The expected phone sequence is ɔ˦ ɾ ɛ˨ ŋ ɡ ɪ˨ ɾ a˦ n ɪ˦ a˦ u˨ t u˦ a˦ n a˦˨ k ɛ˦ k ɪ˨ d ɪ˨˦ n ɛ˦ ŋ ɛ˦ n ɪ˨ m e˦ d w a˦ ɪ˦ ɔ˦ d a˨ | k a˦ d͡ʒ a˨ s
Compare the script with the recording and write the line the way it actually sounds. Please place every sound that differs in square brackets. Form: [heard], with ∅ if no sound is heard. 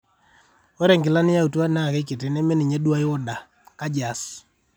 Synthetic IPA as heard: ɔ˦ ɾ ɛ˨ ŋ ɡ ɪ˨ [l] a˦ n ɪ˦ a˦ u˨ t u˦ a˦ n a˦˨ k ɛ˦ k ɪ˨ [t] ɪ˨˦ n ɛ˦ [m] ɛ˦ n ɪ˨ [ɲ] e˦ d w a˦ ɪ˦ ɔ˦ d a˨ | k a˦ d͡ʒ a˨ s

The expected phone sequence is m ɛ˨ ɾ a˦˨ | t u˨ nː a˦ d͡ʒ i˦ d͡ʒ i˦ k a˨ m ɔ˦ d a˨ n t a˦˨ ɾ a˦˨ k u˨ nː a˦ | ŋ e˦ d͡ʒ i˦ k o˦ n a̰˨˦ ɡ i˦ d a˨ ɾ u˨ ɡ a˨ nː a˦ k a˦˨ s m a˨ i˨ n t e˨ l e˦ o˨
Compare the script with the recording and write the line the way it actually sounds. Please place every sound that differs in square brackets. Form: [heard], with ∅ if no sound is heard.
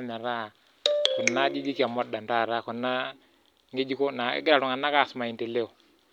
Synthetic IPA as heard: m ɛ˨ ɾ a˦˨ | [k] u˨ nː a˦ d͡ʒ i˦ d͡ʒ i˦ k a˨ m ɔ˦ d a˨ n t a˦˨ ɾ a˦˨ k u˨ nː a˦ | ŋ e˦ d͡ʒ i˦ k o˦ n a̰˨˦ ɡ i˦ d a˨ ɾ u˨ [ŋ] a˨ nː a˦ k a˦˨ s m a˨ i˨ n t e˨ l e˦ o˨

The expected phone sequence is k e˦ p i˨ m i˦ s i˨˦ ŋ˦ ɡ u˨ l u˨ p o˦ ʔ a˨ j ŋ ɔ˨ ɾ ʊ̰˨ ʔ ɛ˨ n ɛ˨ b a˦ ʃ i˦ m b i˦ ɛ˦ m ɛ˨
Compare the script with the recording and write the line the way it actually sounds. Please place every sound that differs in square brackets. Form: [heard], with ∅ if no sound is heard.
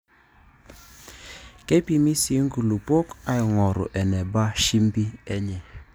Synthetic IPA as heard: k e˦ p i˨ m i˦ s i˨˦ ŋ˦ ɡ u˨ l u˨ p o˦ [k] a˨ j ŋ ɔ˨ ɾ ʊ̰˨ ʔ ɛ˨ n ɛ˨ b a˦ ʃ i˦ m b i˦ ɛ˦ [ɲ] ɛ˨

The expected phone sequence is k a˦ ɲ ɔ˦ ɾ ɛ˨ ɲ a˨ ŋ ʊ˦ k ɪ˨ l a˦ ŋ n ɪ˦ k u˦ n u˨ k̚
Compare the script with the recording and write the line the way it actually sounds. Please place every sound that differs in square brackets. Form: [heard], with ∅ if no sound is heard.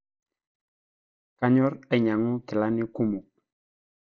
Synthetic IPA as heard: k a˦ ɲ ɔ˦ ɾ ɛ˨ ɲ a˨ ŋ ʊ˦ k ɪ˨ l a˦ [∅] n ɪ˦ k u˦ [m] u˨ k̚

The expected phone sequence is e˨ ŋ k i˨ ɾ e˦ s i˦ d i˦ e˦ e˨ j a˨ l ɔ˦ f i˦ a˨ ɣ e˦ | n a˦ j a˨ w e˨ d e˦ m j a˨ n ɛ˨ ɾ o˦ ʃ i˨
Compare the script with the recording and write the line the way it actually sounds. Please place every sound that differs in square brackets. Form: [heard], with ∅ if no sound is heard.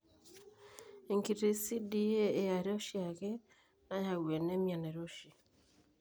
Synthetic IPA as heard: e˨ ŋ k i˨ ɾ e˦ s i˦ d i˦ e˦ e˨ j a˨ [ɾ] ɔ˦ [ʃ] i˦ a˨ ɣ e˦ | n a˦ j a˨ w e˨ [n] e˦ m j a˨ n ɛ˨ ɾ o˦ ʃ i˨

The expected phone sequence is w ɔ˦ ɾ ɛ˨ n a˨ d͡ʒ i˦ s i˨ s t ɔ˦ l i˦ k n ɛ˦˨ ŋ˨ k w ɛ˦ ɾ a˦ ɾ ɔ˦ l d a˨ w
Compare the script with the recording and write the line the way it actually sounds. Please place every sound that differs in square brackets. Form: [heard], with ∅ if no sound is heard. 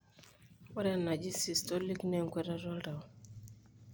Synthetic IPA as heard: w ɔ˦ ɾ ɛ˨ n a˨ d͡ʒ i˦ s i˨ s t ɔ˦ l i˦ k n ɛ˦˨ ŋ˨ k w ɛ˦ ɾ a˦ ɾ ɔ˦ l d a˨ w

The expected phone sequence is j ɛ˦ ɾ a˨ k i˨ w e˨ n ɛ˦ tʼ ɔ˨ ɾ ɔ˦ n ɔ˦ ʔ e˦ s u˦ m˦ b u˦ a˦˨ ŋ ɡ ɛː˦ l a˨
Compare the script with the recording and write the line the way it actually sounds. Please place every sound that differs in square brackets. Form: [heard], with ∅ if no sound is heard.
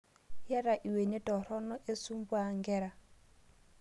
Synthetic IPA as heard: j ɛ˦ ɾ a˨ [ʔ] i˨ w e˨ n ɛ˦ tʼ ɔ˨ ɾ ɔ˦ n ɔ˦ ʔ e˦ s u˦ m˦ b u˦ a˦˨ ŋ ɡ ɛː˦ [ɾ] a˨

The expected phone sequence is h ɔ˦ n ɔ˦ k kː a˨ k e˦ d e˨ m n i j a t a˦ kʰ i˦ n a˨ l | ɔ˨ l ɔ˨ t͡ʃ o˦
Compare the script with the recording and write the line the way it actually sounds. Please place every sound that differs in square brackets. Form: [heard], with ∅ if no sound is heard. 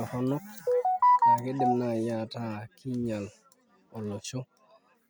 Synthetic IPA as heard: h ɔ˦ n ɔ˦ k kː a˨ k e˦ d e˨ m n [a] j a t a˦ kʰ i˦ [ɲ] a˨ l | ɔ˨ l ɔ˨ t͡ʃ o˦

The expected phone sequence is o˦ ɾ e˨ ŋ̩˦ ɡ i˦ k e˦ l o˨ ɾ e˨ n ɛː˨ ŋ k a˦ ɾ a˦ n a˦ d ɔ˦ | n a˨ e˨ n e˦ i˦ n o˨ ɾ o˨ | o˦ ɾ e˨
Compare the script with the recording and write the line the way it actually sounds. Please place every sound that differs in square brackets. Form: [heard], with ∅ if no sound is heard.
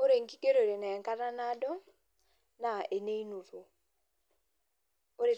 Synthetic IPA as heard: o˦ ɾ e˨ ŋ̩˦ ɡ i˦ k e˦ [ɾ] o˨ ɾ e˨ n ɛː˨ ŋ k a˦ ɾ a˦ n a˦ d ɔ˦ | n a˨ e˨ n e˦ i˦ n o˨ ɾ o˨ | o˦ ɾ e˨

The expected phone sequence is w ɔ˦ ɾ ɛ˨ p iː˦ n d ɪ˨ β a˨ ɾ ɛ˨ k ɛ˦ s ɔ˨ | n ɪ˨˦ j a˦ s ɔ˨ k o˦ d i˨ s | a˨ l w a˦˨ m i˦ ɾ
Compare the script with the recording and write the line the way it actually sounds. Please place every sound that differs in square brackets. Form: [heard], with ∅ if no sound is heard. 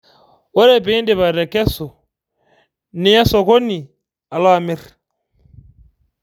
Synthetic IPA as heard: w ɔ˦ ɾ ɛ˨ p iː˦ n d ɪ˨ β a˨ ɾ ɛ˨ k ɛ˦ s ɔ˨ | n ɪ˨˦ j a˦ s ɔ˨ k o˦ [n] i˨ [∅] | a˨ l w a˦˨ m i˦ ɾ

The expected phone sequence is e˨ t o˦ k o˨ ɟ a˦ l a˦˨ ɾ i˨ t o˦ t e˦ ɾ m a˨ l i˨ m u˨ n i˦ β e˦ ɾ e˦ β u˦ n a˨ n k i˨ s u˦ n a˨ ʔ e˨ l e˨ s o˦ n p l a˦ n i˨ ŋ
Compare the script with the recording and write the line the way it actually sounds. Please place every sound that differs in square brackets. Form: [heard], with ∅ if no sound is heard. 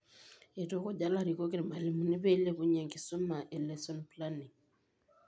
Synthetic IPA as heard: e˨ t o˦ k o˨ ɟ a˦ l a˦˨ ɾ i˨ [k] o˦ [k] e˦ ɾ m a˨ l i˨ m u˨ n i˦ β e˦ [l] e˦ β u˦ [ɲ] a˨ [ŋ] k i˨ s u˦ [m] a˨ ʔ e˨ l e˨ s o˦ n p l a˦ n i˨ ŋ

